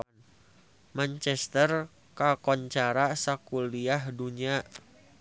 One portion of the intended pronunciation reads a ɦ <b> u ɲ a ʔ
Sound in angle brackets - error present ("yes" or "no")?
yes